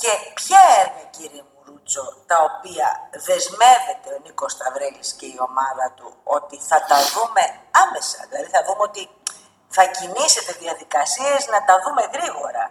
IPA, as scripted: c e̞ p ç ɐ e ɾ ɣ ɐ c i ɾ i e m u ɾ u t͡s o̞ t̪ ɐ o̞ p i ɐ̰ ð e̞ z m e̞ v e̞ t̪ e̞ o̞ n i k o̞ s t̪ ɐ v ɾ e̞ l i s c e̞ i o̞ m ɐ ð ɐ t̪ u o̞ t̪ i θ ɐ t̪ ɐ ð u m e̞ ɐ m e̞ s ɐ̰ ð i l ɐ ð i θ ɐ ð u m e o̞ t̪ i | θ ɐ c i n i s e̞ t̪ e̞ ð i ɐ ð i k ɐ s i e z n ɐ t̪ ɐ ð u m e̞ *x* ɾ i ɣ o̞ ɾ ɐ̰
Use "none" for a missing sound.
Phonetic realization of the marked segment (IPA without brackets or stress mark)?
ɣ